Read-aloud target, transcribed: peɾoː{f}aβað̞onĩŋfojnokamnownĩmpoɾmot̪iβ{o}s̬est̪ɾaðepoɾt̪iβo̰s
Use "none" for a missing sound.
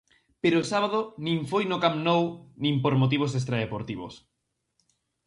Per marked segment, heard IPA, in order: s, o

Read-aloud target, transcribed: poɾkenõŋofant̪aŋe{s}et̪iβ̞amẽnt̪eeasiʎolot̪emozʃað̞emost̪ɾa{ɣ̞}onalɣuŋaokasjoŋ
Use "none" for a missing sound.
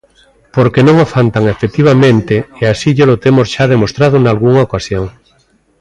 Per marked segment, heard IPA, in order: f, ð̞

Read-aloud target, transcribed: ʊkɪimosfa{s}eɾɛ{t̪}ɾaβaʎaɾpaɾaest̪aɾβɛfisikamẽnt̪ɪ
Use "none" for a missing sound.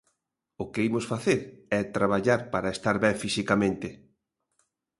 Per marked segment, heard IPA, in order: θ, t̪

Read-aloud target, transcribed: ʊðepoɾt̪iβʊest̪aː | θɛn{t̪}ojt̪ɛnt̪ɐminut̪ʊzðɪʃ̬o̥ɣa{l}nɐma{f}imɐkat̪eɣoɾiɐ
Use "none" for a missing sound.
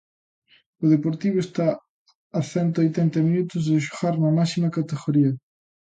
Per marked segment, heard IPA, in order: t̪, ɾ, s

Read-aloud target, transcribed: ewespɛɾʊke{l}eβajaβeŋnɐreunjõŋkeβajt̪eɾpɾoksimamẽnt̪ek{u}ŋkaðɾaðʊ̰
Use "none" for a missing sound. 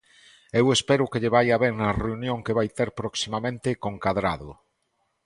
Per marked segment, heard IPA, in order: ʎ, o

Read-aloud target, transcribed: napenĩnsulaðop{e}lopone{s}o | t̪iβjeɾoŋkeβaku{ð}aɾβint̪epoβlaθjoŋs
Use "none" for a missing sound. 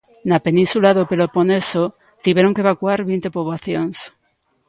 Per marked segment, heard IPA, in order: e, s, none

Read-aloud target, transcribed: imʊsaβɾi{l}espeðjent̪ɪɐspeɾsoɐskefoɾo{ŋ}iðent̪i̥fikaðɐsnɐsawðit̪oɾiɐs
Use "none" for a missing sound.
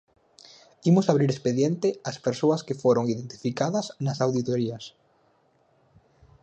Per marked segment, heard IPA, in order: ɾ, ŋ

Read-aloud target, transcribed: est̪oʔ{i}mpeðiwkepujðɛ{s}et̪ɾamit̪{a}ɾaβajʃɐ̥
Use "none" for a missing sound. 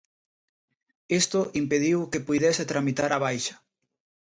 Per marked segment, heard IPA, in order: i, s, a

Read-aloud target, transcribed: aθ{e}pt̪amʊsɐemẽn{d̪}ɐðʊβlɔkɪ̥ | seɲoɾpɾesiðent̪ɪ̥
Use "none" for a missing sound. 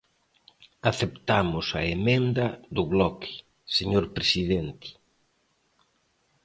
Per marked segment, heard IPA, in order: e, d̪

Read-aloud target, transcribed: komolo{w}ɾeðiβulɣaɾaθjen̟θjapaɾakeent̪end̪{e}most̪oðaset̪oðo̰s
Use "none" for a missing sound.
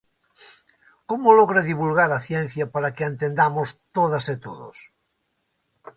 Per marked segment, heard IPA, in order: ɣ, a

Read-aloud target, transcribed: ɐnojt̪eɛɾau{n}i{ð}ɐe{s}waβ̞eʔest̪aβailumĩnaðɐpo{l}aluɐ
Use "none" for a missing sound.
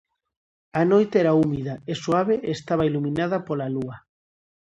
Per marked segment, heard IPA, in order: m, ð, s, l

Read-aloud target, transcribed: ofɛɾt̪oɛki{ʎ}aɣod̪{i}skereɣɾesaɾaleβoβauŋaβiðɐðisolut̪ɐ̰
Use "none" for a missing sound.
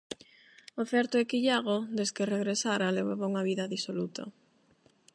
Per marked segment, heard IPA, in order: ʎ, e

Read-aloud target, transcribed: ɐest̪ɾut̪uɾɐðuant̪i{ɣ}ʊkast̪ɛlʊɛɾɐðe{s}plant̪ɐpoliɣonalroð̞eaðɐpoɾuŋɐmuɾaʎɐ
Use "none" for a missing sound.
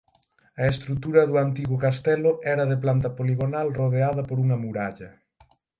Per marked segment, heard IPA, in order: ɣ, none

